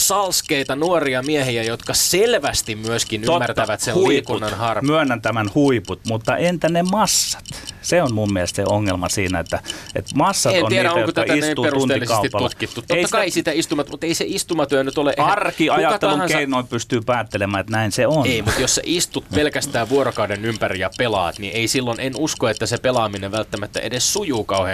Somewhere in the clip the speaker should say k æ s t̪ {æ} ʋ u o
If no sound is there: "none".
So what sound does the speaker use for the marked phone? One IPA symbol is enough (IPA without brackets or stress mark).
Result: æː